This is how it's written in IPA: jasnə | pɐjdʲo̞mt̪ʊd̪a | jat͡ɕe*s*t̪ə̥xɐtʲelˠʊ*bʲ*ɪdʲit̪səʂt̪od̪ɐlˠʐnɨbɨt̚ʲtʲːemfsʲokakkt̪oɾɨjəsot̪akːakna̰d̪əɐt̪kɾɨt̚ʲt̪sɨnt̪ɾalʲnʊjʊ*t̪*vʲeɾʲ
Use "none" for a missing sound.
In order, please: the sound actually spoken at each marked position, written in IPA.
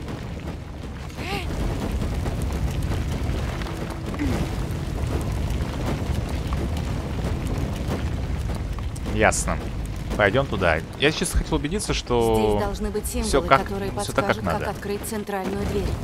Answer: s, bʲ, d̪

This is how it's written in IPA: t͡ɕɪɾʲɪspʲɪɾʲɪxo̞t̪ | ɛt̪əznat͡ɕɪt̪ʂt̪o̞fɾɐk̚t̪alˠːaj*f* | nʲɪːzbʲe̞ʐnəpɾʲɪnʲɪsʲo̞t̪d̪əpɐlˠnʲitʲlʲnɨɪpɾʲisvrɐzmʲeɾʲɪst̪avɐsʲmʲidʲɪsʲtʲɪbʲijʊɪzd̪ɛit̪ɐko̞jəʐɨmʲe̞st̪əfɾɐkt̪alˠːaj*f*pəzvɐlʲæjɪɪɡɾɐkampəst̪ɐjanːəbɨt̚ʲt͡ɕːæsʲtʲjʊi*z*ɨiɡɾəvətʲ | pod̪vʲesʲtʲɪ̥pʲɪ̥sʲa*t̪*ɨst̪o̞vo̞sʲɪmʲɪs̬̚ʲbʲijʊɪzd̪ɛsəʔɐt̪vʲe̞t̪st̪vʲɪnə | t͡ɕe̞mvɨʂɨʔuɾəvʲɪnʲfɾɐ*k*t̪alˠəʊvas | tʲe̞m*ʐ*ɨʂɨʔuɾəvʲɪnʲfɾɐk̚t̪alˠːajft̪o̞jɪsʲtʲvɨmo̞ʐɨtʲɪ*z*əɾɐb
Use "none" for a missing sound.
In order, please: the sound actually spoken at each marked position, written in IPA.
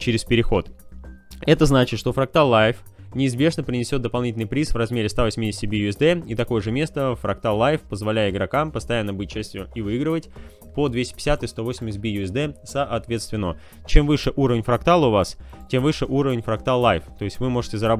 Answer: f, f, v, t̪, k, v, z

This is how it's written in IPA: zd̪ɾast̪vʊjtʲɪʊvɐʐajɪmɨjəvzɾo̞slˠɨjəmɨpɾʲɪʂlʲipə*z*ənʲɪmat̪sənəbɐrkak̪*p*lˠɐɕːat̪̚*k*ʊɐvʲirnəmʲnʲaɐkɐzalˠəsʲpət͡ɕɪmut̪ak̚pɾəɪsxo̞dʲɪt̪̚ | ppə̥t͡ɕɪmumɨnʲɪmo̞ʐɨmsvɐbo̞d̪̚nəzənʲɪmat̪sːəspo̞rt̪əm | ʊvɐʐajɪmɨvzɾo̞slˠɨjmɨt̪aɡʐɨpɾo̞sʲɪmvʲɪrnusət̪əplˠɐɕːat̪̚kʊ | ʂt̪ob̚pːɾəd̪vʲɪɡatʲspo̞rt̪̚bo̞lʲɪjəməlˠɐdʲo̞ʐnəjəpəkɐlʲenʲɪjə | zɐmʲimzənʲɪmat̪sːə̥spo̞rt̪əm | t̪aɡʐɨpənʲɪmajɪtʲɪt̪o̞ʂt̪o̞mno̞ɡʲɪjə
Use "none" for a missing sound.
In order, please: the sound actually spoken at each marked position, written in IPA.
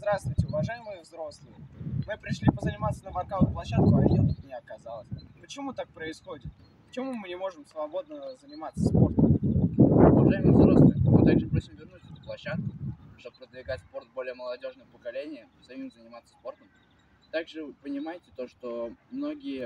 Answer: z, p, k

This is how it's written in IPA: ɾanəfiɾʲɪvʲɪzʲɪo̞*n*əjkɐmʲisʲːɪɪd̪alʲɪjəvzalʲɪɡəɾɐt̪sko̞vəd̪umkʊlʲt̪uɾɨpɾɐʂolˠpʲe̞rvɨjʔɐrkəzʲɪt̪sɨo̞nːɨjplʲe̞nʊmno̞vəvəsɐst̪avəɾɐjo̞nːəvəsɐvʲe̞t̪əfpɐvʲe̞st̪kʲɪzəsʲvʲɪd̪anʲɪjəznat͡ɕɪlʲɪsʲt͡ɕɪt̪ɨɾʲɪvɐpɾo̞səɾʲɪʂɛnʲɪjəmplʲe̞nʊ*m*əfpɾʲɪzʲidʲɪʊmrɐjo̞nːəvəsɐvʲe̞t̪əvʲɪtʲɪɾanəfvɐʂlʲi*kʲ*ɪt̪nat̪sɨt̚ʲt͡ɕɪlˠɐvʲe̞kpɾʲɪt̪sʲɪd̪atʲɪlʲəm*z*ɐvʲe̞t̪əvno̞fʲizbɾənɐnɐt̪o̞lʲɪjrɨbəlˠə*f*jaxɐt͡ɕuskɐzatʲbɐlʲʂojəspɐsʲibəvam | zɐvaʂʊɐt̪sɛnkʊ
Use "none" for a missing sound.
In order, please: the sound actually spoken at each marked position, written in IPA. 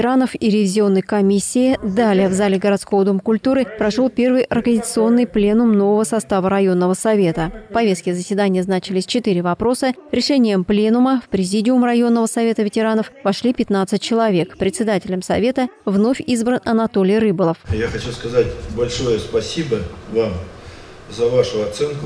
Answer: nː, m, pʲ, s, f

